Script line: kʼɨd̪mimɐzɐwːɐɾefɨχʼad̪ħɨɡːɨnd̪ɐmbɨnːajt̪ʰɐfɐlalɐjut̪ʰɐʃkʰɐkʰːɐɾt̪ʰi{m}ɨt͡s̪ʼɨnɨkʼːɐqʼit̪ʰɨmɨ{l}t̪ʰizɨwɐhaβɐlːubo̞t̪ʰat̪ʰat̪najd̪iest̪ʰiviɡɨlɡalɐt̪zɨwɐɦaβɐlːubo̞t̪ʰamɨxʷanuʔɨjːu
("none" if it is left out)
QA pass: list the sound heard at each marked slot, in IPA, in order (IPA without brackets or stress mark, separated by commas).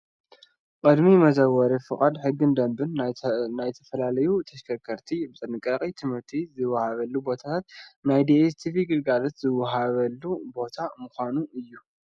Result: b, ɾ